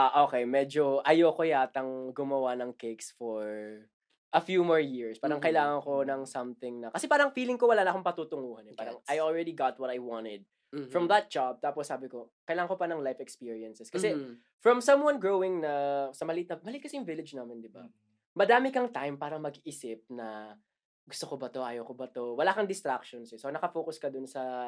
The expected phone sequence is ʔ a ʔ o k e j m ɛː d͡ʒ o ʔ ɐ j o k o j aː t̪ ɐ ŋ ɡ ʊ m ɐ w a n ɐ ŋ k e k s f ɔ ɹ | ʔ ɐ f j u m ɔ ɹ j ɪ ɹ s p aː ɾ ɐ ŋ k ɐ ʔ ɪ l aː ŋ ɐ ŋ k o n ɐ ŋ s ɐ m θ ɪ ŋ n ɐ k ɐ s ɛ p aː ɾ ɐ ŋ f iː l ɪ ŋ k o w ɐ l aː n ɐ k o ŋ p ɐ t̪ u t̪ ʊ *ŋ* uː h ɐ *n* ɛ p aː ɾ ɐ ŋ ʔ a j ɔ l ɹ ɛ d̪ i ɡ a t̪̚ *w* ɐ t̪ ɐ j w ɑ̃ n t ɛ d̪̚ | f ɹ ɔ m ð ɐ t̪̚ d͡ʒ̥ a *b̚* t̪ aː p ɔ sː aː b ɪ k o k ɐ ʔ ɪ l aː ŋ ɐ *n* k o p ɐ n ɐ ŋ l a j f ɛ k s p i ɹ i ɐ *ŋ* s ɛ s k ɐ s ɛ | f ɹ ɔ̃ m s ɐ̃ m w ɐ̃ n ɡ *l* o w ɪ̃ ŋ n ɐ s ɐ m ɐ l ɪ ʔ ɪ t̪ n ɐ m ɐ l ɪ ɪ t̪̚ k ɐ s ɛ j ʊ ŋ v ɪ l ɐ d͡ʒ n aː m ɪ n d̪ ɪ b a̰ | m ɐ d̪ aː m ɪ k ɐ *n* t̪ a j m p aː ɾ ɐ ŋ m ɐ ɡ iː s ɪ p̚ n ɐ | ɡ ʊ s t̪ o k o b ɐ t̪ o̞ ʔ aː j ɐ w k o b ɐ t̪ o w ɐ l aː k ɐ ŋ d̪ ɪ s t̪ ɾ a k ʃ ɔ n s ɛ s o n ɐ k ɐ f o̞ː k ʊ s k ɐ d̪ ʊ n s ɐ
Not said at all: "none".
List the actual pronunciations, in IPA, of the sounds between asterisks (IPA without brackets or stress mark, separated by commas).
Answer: ŋ, n, w, b̚, ŋ, n, ɹ, ŋ